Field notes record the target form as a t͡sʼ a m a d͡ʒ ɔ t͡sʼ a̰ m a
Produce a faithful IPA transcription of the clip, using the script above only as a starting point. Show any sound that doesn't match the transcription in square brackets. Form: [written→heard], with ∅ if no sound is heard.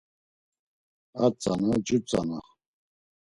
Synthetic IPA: a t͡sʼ a [m→n] a d͡ʒ [ɔ→u] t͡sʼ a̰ [m→n] a